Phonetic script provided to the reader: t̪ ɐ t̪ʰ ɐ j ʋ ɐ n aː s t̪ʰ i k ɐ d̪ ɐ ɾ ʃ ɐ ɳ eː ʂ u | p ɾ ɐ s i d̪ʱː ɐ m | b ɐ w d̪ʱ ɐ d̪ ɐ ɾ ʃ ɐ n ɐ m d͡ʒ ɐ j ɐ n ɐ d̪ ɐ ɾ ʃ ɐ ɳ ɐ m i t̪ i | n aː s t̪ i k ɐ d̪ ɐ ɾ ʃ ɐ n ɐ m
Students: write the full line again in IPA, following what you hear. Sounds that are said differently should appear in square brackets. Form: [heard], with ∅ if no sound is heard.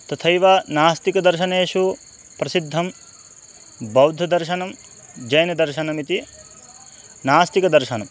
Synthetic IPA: t̪ ɐ t̪ʰ ɐ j ʋ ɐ n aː s [t̪] i k ɐ d̪ ɐ ɾ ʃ ɐ [n] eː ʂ u | p ɾ ɐ s i d̪ʱː ɐ m | b ɐ w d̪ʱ ɐ d̪ ɐ ɾ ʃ ɐ n ɐ m d͡ʒ ɐ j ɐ n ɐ d̪ ɐ ɾ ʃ ɐ [n] ɐ m i t̪ i | n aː s t̪ i k ɐ d̪ ɐ ɾ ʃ ɐ n ɐ m